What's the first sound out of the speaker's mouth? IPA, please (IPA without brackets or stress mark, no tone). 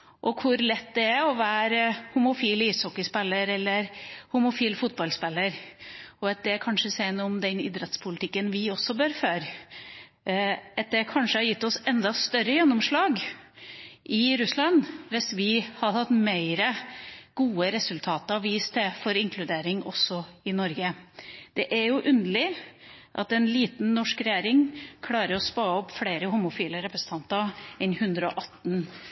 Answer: ʔ